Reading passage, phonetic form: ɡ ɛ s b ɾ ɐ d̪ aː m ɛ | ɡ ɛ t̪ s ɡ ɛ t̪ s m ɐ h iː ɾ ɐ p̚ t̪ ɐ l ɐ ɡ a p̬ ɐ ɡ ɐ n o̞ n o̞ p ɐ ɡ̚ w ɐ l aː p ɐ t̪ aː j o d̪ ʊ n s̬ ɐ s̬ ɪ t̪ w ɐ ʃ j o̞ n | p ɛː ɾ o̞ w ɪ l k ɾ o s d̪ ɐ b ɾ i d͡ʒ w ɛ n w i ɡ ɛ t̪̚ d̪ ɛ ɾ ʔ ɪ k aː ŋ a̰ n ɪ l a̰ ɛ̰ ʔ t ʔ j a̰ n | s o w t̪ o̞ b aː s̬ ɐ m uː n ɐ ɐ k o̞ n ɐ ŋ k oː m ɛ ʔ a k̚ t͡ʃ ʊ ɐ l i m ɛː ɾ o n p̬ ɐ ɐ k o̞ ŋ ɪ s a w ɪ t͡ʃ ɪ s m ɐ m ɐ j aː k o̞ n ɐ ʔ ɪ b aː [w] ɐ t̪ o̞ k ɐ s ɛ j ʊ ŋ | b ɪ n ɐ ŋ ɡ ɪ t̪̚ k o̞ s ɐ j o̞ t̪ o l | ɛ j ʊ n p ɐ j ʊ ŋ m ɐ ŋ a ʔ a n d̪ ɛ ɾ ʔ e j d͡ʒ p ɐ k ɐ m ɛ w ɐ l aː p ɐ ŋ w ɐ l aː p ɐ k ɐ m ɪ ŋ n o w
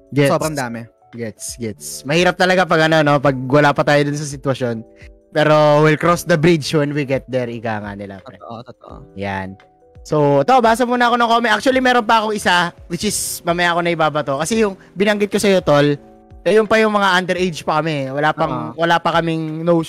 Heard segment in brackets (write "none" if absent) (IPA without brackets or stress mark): b